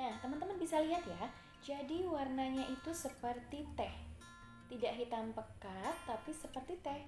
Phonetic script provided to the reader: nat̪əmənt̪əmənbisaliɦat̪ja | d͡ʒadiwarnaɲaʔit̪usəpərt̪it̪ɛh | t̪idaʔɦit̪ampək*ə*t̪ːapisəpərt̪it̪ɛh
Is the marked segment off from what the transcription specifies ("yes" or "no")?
yes